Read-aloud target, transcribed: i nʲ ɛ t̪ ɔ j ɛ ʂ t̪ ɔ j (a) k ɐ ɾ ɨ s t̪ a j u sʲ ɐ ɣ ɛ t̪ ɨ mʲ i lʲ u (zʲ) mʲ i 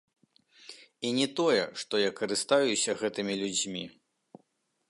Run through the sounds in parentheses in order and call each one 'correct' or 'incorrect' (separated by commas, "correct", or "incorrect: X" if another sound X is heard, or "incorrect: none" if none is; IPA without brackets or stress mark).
correct, incorrect: d͡zʲ